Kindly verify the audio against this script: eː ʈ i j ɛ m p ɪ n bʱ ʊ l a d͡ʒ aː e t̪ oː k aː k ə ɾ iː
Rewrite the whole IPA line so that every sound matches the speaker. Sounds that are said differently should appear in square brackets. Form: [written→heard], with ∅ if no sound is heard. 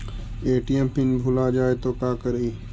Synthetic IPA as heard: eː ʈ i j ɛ m p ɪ n bʱ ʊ l a d͡ʒ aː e t̪ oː k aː k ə ɾ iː